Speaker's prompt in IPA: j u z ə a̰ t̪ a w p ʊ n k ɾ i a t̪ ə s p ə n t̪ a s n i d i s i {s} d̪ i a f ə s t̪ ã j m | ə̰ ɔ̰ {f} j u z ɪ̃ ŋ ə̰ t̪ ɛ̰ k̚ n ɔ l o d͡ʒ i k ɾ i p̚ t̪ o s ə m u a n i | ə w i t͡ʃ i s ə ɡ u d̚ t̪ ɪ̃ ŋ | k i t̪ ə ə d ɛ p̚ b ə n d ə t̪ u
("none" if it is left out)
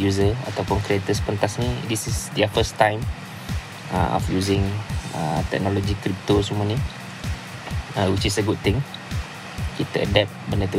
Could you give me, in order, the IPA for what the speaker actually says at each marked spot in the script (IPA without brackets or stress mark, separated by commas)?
s, f